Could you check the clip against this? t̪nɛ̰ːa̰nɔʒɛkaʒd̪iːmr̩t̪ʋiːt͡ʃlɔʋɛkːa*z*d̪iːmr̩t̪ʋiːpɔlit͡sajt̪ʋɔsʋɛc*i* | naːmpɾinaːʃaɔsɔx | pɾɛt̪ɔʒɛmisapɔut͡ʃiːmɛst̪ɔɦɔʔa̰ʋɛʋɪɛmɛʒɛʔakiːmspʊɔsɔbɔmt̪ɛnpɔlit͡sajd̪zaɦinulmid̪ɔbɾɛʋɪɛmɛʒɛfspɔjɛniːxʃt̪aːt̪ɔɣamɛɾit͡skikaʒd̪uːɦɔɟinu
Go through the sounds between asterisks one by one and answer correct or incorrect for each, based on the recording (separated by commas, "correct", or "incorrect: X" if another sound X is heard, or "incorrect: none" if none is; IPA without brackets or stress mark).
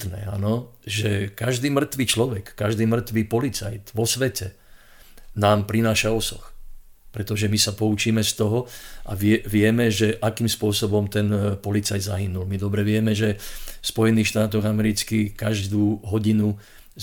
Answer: incorrect: ʒ, incorrect: ɛ